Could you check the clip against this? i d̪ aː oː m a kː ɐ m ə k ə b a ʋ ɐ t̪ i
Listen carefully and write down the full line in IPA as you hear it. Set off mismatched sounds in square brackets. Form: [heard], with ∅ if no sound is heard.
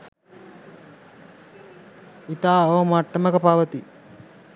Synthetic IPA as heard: i [t̪] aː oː m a [ʈː] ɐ m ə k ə [p] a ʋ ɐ t̪ i